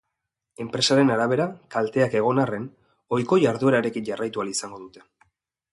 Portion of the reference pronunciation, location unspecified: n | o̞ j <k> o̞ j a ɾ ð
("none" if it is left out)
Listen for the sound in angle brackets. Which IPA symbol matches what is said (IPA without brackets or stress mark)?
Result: k